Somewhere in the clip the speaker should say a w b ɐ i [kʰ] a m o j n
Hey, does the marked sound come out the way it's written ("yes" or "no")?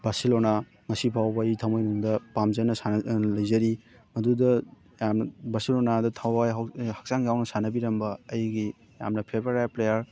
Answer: no